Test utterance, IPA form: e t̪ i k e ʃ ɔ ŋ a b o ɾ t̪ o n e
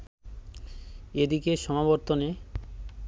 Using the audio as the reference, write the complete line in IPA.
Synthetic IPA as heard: e d̪ i k e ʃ ɔ m a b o ɾ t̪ o n e

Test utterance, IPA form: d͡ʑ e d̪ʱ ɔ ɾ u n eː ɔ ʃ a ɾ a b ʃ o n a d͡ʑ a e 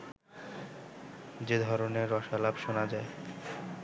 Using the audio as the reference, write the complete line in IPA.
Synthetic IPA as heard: d͡ʑ e d̪ʱ ɔ ɾ o n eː ɔ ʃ a l a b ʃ o n a d͡ʑ a e

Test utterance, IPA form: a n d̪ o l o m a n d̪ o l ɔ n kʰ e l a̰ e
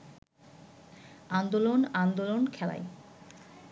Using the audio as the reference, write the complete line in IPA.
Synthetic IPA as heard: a n d̪ o l o n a n d̪ o l o n kʰ ɛ l a̰ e

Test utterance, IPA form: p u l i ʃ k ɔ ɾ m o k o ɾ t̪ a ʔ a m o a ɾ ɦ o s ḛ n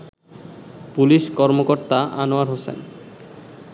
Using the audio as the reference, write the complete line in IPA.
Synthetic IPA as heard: p u l i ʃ k ɔ ɾ m o k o ɾ t̪ a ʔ a n o a ɾ ɦ o s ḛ n

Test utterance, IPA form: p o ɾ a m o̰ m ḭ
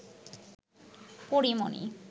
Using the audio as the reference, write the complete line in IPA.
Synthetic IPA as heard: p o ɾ i m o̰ n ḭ

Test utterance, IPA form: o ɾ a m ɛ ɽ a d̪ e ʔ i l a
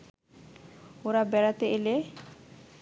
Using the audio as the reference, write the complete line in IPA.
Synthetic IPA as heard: o ɾ a b ɛ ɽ a t̪ e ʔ e l e

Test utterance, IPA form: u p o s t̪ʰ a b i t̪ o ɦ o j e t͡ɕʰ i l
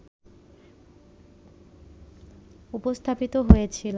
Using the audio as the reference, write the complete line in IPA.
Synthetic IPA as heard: u p o s t̪ʰ a p i t̪ o ɦ o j e t͡ɕʰ i l

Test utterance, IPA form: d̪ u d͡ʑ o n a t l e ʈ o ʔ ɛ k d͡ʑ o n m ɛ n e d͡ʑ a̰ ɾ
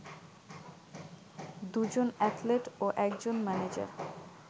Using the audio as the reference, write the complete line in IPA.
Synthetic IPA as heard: d̪ u d͡ʑ o n ɛ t l e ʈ o ʔ ɛ k d͡ʑ o n m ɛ n e d͡ʑ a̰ ɾ

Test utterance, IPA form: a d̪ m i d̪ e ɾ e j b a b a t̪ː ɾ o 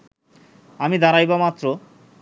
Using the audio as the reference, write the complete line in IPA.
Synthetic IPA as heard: a m i d̪ a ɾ a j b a m a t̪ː ɾ o

